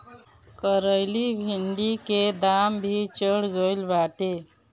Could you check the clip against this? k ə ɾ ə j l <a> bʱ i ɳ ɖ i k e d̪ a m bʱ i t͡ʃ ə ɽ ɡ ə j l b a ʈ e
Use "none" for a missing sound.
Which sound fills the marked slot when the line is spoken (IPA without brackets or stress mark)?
i